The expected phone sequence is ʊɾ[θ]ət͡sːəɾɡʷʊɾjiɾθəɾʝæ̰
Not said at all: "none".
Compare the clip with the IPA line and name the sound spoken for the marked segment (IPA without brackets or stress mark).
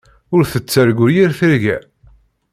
θ